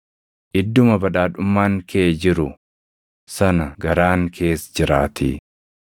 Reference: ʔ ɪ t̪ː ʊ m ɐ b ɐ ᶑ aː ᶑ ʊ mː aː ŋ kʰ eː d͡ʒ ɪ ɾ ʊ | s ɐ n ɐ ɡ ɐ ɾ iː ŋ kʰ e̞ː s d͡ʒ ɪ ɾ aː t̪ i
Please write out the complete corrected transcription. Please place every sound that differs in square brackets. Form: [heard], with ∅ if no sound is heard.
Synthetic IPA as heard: ʔ ɪ [d̪ː] ʊ m ɐ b ɐ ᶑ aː ᶑ ʊ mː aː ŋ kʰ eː d͡ʒ ɪ ɾ ʊ | s ɐ n ɐ ɡ ɐ ɾ [aː] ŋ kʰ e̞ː s d͡ʒ ɪ ɾ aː t̪ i